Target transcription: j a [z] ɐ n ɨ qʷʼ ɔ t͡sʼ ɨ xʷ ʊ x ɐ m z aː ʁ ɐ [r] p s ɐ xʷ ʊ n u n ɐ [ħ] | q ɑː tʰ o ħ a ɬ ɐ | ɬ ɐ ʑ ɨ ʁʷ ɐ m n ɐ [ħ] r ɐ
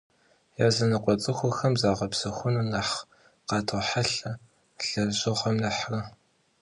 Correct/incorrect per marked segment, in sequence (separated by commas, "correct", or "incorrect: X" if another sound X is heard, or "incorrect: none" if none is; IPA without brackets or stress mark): correct, incorrect: none, correct, correct